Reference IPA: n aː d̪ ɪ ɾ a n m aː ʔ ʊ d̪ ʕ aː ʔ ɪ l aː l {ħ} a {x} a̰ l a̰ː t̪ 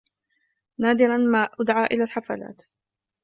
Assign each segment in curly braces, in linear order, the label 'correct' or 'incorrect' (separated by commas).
correct, incorrect